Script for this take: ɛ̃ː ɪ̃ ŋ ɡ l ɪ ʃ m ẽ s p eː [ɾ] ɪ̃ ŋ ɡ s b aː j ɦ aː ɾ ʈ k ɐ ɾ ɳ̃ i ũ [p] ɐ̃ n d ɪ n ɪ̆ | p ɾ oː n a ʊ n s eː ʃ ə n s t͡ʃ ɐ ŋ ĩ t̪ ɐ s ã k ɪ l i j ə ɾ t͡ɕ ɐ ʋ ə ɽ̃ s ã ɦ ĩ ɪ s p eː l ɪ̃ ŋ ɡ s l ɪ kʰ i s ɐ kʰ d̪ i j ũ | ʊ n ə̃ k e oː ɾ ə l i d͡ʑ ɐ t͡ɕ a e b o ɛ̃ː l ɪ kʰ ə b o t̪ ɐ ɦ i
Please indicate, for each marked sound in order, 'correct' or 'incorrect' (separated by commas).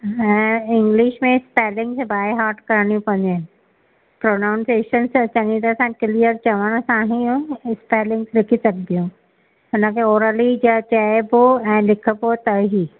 incorrect, correct